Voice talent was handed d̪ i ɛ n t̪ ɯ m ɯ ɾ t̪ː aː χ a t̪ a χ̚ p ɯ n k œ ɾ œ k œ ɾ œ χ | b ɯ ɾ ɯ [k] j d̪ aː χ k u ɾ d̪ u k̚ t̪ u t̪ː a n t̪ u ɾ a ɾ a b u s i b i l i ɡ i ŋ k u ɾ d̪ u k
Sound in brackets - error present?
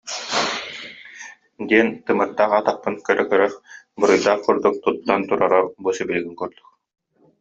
yes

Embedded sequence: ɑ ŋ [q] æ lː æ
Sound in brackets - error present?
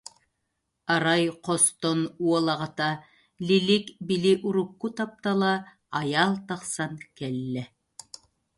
yes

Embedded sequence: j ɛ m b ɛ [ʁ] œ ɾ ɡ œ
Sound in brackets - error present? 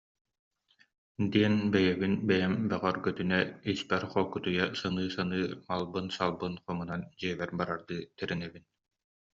no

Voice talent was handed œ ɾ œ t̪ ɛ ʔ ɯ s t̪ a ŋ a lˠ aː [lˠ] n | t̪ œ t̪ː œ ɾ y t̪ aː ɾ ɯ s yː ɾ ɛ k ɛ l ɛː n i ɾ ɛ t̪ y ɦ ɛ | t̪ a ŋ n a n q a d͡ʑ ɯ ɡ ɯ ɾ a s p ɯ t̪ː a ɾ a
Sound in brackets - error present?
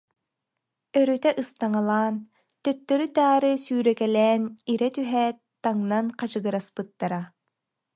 yes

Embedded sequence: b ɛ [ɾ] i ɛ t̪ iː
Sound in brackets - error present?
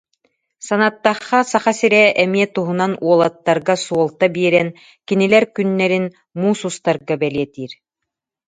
yes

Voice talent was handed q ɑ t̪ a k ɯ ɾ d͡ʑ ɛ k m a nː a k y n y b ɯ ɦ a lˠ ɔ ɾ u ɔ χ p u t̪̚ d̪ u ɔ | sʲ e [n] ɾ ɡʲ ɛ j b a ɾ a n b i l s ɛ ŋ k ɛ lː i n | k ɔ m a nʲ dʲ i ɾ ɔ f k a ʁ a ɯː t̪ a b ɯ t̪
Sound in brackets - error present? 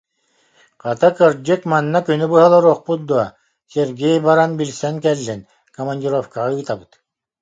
yes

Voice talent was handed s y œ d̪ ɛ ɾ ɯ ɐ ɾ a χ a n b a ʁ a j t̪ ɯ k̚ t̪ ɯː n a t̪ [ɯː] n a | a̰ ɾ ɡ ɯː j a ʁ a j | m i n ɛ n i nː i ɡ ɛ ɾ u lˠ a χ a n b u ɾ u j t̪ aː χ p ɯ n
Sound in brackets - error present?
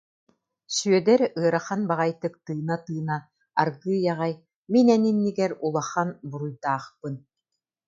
no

